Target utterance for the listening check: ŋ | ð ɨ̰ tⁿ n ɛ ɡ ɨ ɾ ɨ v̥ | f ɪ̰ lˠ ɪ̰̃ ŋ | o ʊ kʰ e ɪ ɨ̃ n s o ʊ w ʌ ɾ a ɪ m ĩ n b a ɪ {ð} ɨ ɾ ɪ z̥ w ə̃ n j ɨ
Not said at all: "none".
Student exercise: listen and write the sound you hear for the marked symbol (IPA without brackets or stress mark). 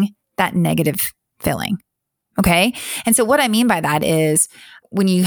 ð